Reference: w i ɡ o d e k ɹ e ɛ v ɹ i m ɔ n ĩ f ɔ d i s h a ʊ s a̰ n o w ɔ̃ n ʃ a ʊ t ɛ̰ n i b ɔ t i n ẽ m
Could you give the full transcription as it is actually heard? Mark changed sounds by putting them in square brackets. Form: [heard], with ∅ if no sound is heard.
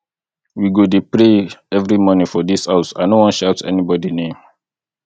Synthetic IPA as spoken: w i ɡ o d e [p] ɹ e ɛ v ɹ i m ɔ n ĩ f ɔ d i s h a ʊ s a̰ n o w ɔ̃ n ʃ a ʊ t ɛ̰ n i b ɔ [d] i n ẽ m